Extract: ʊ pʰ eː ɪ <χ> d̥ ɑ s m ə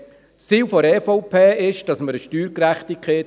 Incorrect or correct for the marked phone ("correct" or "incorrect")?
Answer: incorrect